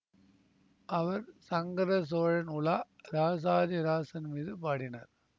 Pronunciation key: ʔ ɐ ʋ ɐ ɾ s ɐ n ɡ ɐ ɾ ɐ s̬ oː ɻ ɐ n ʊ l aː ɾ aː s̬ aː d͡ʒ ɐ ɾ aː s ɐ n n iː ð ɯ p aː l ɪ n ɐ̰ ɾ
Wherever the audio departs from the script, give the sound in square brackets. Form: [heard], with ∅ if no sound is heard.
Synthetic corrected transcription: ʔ ɐ ʋ ɐ ɾ s ɐ [ŋ] ɡ ɐ ɾ ɐ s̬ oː ɻ ɐ n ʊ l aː ɾ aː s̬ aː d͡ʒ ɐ ɾ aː s ɐ n [m] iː ð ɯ p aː [ɽ] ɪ n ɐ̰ ɾ